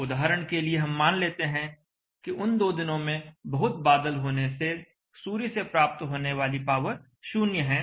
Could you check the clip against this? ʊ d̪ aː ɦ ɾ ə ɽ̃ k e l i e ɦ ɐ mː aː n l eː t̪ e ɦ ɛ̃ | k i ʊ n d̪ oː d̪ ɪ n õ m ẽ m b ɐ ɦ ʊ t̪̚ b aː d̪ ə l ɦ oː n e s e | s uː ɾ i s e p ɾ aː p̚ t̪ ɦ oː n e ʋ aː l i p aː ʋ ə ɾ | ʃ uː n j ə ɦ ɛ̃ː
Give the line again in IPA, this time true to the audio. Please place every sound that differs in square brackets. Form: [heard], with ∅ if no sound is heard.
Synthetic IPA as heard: ʊ d̪ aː ɦ ɾ ə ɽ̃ k e l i e ɦ ɐ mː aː n l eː t̪ e ɦ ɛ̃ | k i ʊ n d̪ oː d̪ ɪ n õ m ẽ [∅] b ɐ ɦ ʊ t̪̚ b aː d̪ ə l ɦ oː n e s e | s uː ɾ i s e p ɾ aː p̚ t̪ ɦ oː n e ʋ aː l i p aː ʋ ə ɾ | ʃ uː n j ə ɦ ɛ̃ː

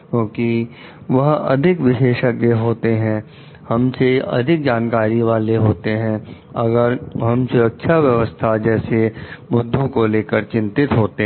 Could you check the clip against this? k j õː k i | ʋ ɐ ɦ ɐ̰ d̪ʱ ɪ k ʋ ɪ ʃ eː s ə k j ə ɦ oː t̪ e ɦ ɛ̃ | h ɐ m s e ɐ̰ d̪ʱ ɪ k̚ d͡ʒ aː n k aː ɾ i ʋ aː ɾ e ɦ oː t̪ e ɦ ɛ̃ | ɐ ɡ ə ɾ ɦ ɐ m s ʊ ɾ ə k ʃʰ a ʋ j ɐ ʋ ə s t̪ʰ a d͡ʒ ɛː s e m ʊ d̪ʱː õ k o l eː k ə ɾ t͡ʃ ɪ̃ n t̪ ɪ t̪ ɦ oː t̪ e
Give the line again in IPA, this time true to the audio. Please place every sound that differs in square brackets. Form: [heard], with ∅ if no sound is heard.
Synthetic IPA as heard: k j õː k i | ʋ ɐ ɦ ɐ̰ d̪ʱ ɪ k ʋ ɪ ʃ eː [ʃ] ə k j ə ɦ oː t̪ e ɦ ɛ̃ | h ɐ m s e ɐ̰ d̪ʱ ɪ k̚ d͡ʒ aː n k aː ɾ i ʋ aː [l] e ɦ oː t̪ e ɦ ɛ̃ | ɐ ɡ ə ɾ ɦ ɐ m s ʊ ɾ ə k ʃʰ a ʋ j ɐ ʋ ə s t̪ʰ a d͡ʒ ɛː s e m ʊ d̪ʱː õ k o l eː k ə ɾ t͡ʃ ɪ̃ n t̪ ɪ t̪ ɦ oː t̪ e

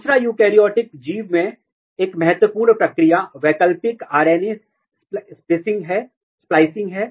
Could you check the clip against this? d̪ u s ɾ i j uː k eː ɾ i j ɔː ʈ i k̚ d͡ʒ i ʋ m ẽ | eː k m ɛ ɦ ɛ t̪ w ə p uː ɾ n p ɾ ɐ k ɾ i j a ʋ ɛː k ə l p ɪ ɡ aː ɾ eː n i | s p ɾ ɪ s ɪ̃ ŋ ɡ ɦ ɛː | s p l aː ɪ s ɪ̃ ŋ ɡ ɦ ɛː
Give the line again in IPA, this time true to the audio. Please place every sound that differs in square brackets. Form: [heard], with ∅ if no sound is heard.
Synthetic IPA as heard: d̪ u s ɾ [a] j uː k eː ɾ i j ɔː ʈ [ɪ] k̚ d͡ʒ [iː] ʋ m ẽ | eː k m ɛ ɦ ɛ t̪ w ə p uː ɾ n p ɾ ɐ k ɾ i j a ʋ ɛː k ə l p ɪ [k] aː ɾ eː n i | s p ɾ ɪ s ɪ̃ ŋ ɡ ɦ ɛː | s p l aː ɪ s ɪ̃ ŋ ɡ ɦ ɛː

